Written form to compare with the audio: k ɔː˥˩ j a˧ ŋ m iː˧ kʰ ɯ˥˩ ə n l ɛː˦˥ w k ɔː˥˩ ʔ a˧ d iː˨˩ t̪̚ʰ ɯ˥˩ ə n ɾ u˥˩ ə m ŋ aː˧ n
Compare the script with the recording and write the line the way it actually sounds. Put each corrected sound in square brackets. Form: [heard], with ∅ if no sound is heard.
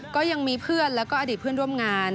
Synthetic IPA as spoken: k ɔː˥˩ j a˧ ŋ m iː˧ [pʰ] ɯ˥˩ ə n l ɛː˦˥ w k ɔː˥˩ ʔ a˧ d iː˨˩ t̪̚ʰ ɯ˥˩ ə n ɾ u˥˩ ə m ŋ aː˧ n